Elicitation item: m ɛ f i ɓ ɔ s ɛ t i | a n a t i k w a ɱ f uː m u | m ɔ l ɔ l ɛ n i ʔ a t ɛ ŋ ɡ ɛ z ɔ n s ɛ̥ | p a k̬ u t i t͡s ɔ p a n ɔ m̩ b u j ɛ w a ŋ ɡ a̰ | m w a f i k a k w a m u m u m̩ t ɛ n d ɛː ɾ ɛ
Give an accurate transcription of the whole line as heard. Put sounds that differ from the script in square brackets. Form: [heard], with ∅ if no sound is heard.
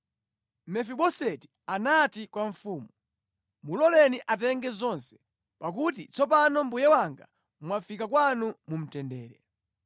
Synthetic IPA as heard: m ɛ f i ɓ ɔ s ɛ t i | a n a t i k w a ɱ f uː m u | m [u] l ɔ l ɛ n i ʔ a t ɛ ŋ ɡ ɛ z ɔ n s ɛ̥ | p a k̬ u t i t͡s ɔ p a n ɔ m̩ b u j ɛ w a ŋ ɡ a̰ | m w a f i k a k w a [n] u m u m̩ t ɛ n d ɛː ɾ ɛ